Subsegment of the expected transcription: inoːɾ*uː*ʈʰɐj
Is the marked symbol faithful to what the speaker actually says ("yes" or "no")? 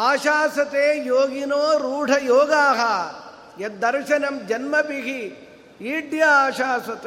yes